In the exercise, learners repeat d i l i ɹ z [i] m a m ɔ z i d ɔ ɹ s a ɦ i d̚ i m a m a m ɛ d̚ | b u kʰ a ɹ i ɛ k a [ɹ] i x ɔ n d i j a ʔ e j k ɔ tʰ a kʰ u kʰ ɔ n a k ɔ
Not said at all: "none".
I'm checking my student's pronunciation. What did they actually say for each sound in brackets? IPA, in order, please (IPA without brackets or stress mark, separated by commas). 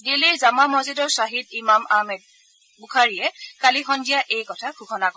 a, l